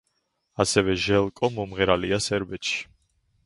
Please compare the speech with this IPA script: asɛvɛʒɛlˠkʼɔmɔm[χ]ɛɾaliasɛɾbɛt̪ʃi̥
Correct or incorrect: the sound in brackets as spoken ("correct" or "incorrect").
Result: incorrect